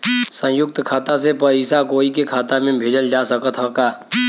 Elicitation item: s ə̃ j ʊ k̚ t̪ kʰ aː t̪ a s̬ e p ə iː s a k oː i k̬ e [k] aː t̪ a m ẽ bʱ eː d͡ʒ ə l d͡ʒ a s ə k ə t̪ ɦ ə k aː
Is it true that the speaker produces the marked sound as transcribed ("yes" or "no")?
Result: no